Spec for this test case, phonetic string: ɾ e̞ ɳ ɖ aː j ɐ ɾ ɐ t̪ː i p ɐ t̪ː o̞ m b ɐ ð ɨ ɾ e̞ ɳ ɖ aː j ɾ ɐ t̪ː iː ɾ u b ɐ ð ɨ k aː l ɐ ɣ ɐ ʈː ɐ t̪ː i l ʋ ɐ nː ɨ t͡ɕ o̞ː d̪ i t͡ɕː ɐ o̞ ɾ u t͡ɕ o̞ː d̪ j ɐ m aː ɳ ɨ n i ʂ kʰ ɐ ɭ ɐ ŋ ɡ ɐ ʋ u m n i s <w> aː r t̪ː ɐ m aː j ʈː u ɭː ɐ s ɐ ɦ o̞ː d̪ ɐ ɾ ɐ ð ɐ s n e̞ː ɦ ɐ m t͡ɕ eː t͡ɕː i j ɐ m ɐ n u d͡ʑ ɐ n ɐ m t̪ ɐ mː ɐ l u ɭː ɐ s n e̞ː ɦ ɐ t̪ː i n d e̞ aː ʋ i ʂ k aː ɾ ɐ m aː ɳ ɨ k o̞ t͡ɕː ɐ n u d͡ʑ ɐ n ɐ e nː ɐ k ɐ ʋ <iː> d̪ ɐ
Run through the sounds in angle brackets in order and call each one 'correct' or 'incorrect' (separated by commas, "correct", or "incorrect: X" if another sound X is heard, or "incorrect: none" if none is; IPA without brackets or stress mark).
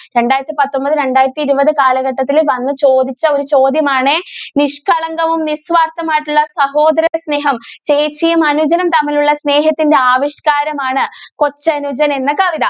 incorrect: ʋ, incorrect: i